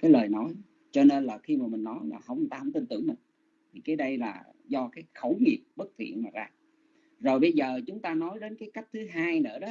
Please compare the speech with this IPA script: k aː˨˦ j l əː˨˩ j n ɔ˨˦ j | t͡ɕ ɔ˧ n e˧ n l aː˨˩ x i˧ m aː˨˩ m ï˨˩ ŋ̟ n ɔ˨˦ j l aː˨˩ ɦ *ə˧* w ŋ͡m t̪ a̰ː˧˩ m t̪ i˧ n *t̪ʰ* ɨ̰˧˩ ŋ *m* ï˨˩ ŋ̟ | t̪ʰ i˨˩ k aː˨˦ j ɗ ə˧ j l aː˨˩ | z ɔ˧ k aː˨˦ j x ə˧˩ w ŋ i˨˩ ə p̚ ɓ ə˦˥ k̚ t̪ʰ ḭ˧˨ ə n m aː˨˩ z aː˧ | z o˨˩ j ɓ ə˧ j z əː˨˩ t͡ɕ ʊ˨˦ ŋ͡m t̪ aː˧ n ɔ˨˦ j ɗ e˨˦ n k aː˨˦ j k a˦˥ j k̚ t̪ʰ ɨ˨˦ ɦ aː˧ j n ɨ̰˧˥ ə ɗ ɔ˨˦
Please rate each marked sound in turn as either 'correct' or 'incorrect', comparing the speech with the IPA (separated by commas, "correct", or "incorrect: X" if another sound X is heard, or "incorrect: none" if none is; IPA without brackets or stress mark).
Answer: correct, incorrect: t̪, correct